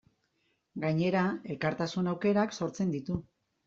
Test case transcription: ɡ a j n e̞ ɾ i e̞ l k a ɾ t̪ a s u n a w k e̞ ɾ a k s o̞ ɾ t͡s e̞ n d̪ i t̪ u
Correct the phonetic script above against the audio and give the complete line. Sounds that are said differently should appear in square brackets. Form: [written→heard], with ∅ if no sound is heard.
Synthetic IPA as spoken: ɡ a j [n→ɲ] e̞ ɾ [i→a] e̞ l k a ɾ t̪ a s u n a w k e̞ ɾ a k s o̞ ɾ t͡s e̞ n d̪ i t̪ u